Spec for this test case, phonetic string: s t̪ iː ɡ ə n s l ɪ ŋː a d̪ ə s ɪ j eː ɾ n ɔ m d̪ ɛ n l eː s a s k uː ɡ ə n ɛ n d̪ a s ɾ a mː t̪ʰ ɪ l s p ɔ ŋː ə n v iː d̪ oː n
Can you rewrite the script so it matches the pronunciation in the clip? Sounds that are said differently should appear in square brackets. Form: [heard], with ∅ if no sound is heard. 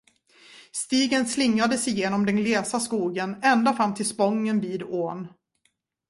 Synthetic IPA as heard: s t̪ iː ɡ ə n s l ɪ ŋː a d̪ ə s ɪ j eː [∅] n ɔ m d̪ ɛ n l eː s a s k uː ɡ ə n ɛ n d̪ a [f] ɾ a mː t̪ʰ ɪ l s p ɔ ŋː ə n v iː d̪ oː n